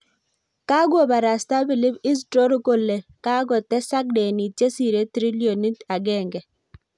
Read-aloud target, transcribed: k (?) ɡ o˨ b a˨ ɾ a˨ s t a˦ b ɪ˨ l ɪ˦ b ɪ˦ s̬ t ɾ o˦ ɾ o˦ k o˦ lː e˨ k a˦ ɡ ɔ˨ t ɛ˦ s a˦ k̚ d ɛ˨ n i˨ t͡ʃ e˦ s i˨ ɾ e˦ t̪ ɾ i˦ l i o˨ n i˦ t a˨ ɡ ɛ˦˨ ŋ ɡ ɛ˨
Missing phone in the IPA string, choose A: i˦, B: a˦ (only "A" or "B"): B